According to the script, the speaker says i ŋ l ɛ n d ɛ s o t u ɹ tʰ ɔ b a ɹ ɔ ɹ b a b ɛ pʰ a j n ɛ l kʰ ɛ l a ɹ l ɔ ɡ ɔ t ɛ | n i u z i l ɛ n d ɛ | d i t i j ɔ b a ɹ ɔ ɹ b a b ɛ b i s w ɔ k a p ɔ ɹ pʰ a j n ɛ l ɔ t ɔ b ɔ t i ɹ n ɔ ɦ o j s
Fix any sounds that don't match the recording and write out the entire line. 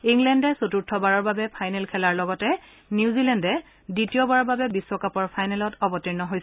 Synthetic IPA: i ŋ l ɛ n d ɛ s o t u ɹ tʰ ɔ b a ɹ ɔ ɹ b a b ɛ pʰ a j n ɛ l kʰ ɛ l a ɹ l ɔ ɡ ɔ t ɛ | n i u z i l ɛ n d ɛ | d i t i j ɔ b a ɹ ɔ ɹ b a b ɛ b i s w ɔ k a p ɔ ɹ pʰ a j n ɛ l ɔ t ɔ b ɔ t i ɹ n ɔ ɦ o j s